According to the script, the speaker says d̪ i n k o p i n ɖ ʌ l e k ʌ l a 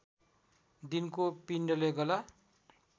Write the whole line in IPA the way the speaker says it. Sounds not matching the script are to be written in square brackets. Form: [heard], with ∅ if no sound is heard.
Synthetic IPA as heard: d̪ i n k o p i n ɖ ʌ l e [ɡ] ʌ l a